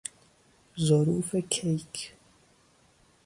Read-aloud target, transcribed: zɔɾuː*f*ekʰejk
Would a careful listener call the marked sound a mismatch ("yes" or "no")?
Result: no